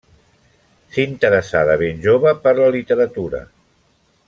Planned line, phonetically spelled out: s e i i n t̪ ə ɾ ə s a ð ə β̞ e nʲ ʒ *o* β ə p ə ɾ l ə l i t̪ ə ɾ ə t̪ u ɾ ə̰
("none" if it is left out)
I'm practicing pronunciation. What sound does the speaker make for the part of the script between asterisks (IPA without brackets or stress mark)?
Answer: o